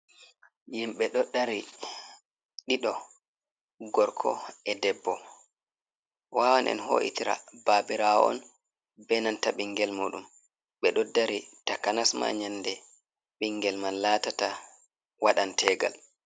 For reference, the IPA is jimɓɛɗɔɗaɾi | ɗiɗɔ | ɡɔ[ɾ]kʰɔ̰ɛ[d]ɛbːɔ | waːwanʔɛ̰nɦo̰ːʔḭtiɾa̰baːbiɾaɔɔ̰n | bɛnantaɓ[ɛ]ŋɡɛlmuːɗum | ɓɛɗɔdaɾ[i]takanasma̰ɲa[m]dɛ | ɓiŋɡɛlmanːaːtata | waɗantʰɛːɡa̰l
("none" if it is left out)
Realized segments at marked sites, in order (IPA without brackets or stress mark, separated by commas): ɾ, d, i, i, n